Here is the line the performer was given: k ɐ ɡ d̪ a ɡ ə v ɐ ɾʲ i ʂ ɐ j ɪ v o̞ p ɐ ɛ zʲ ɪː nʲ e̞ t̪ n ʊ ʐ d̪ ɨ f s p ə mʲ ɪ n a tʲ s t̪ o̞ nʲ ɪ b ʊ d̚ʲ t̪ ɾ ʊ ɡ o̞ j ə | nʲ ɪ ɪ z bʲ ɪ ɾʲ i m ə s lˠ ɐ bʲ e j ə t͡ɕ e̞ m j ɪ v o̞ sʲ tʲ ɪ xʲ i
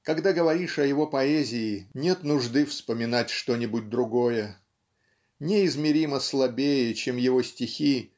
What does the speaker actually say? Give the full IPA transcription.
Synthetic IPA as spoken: k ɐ ɡ d̪ a ɡ ə v ɐ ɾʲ i ʂ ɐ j ɪ v o̞ p ɐ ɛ zʲ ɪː nʲ e̞ t̪ n ʊ ʐ d̪ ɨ f s p ə mʲ ɪ n a tʲ ʂ t̪ o̞ nʲ ɪ b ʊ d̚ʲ d̪ ɾ ʊ ɡ o̞ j ə | nʲ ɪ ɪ z mʲ ɪ ɾʲ i m ə s lˠ ɐ bʲ e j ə t͡ɕ e̞ m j ɪ v o̞ sʲ tʲ ɪ xʲ i